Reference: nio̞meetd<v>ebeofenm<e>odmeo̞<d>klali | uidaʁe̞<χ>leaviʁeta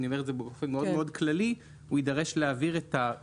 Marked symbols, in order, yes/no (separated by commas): no, yes, yes, no